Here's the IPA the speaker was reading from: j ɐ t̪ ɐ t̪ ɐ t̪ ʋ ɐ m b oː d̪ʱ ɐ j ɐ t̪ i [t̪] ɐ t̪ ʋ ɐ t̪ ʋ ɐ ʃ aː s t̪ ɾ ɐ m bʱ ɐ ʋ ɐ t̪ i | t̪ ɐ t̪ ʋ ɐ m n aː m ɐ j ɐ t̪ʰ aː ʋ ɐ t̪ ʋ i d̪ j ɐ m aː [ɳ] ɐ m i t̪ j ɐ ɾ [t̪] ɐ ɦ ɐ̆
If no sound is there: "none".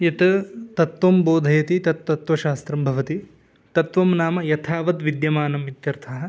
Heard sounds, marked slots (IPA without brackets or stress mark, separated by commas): t̪, n, t̪ʰ